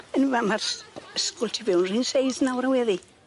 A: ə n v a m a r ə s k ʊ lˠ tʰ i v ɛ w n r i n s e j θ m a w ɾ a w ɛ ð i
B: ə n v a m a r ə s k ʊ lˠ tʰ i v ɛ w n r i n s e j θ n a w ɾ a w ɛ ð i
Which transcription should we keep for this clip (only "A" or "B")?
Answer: B